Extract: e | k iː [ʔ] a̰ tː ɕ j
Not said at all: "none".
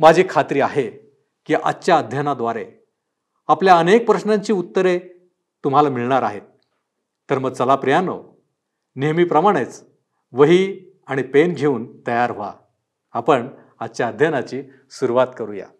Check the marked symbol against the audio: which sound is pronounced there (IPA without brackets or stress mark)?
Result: ʔ